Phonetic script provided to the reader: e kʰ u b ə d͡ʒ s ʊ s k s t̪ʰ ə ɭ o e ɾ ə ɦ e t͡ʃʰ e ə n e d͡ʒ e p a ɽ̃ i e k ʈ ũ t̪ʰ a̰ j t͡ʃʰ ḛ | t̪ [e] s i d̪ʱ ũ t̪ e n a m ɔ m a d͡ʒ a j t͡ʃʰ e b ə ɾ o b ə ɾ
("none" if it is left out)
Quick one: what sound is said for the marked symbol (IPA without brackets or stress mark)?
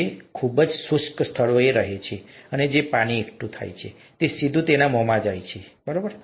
e